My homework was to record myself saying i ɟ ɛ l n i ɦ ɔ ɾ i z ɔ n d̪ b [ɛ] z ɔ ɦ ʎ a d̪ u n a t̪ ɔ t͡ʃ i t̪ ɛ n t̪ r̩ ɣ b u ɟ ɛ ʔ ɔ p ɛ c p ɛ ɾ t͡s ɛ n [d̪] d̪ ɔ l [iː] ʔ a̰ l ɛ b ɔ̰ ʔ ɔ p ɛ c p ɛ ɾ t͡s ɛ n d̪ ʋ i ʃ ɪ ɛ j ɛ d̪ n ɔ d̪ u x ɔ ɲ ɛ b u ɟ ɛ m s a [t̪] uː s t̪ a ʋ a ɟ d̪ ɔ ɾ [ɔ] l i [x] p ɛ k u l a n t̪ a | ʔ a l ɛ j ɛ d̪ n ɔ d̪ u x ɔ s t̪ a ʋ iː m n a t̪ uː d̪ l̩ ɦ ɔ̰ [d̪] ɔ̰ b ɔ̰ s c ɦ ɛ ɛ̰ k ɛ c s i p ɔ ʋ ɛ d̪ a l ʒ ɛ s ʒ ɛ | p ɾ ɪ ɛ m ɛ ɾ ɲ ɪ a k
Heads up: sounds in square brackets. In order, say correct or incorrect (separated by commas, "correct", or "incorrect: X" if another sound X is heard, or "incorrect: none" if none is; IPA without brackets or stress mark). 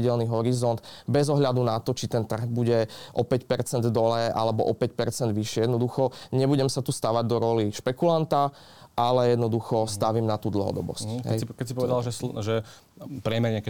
correct, correct, incorrect: ɛː, correct, correct, incorrect: ʃ, correct